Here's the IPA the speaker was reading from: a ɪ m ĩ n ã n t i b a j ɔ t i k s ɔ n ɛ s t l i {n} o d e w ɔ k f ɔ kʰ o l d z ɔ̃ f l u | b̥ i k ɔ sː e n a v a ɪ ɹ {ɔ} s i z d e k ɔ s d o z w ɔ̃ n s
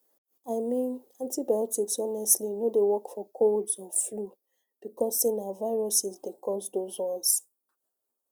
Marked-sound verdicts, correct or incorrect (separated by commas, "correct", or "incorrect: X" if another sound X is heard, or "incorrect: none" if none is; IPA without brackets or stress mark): correct, correct